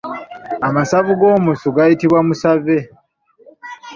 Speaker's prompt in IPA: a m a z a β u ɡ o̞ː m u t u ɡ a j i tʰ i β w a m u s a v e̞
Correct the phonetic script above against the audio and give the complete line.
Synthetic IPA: a m a s a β u ɡ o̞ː m u s u ɡ a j i t i β w a m u s a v e̞